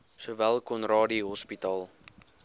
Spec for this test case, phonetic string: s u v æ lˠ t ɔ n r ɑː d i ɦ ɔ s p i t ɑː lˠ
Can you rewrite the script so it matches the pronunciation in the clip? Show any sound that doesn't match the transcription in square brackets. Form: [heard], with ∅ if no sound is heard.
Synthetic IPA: s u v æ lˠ [k] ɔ n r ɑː d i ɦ ɔ s p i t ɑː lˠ